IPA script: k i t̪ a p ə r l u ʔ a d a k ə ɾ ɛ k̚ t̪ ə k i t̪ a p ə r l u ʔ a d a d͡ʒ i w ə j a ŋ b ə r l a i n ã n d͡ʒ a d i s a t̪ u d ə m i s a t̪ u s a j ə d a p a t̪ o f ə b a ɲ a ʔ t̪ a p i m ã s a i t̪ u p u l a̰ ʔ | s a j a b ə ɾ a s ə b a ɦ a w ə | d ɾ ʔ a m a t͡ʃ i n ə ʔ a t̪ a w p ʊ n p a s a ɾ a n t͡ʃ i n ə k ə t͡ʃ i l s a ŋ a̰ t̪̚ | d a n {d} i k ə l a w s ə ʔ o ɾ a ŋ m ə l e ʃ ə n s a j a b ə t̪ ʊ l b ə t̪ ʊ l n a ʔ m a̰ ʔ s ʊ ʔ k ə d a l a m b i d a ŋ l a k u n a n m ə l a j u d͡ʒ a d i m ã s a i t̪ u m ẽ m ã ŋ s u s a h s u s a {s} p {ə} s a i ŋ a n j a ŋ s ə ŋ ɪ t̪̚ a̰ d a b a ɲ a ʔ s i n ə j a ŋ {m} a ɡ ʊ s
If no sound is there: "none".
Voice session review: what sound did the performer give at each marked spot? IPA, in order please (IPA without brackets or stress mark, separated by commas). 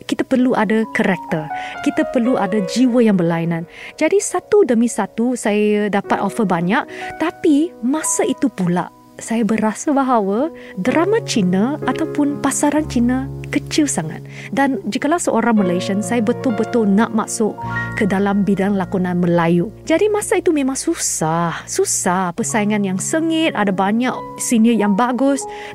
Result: d͡ʒ, h, ə, b